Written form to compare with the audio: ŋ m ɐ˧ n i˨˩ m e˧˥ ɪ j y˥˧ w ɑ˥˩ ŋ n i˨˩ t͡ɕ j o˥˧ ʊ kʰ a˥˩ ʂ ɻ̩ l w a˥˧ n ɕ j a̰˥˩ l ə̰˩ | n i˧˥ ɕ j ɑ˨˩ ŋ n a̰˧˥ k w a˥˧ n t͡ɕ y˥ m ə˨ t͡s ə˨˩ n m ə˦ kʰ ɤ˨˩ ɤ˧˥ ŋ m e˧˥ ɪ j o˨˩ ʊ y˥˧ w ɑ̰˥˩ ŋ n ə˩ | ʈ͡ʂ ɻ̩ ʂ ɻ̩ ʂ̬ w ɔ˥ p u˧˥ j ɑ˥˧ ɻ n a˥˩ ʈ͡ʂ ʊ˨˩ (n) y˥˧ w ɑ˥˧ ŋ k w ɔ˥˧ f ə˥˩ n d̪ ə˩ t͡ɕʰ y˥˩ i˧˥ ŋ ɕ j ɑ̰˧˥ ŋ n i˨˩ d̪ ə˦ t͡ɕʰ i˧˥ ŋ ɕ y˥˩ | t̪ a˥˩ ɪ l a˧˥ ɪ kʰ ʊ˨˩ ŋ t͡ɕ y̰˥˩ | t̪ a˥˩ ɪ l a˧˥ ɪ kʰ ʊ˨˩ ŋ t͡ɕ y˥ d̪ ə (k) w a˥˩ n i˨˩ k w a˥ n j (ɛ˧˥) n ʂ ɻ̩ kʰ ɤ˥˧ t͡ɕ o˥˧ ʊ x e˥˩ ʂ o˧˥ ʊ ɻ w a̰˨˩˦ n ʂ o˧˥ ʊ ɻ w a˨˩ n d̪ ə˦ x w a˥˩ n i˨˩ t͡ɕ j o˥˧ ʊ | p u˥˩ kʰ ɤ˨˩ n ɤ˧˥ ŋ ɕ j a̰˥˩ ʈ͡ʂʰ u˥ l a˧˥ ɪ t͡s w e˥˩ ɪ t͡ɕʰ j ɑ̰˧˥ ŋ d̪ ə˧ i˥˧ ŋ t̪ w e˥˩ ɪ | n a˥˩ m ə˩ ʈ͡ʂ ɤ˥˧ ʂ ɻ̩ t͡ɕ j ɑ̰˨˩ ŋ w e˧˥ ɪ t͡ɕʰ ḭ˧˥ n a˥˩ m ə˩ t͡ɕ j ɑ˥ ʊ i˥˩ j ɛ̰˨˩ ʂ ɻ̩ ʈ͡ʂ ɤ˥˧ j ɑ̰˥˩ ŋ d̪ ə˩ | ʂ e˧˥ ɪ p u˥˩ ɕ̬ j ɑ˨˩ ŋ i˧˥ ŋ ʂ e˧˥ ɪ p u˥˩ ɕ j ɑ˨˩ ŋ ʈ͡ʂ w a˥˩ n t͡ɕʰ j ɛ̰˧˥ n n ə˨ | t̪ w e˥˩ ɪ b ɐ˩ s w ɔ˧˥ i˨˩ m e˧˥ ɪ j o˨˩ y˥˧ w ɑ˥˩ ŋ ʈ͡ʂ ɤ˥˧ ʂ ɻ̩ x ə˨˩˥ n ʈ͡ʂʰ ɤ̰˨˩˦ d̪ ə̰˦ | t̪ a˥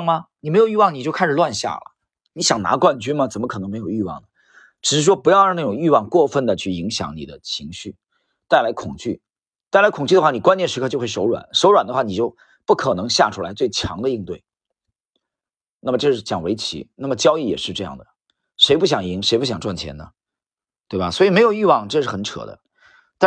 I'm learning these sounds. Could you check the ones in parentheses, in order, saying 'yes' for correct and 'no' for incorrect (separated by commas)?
no, no, no